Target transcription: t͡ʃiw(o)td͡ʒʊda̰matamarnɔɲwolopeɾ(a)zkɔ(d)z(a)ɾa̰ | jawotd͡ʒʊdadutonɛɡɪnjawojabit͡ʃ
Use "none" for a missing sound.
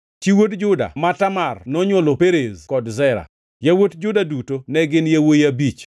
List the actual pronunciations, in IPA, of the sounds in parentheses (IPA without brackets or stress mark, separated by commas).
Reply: o, e, d, ɛ